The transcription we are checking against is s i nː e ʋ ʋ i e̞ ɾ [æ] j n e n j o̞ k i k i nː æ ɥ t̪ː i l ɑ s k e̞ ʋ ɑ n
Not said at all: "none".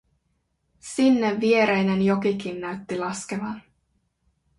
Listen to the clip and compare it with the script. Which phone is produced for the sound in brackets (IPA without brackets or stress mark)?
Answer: e